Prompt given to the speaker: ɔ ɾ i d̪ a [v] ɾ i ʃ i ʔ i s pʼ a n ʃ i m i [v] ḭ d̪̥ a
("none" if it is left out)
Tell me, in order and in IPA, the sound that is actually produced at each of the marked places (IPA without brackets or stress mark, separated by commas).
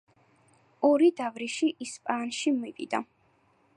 v, v